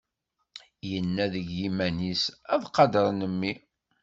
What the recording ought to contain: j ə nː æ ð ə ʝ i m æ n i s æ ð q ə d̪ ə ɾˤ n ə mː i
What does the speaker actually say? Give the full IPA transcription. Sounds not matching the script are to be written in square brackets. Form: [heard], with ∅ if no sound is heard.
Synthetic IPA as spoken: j ə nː æ ð ə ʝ i m æ n i s æ ð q [ɑ] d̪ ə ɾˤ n ə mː i